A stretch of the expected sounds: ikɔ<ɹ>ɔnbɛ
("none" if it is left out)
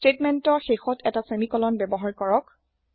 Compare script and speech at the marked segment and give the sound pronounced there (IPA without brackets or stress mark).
l